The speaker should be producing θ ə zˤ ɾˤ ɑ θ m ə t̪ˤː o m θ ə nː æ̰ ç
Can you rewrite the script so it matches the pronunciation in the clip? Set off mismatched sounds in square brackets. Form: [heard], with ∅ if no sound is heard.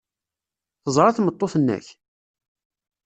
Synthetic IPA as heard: θ ə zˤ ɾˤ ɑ θ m ə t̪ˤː o [∅] θ ə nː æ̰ ç